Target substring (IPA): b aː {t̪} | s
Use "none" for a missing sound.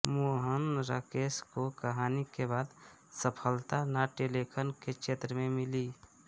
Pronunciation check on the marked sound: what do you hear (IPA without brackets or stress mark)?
d̪